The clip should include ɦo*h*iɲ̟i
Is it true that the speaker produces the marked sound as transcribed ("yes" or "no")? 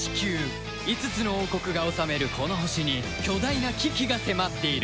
no